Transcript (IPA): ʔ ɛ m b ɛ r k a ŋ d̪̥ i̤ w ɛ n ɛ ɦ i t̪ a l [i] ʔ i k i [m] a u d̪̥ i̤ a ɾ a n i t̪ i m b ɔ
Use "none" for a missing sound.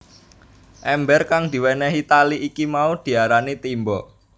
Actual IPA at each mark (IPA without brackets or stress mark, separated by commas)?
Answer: i, m